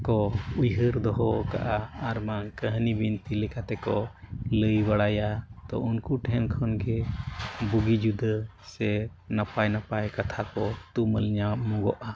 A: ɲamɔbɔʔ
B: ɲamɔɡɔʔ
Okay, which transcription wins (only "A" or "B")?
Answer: B